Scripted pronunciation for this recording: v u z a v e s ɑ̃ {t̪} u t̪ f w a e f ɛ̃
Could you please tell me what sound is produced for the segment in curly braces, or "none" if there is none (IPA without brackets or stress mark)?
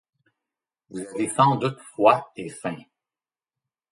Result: d̪